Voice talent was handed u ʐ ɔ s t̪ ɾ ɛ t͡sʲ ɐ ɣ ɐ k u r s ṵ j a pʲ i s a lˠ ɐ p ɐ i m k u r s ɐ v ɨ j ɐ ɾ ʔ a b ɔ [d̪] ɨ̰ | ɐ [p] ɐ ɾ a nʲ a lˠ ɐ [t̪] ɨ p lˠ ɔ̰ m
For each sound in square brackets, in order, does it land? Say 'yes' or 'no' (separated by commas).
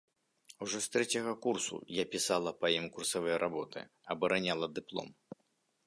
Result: no, no, no